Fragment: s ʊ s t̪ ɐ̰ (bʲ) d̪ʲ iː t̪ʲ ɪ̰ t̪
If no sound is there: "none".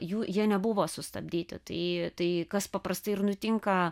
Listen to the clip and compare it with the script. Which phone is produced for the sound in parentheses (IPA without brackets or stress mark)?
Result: bʲ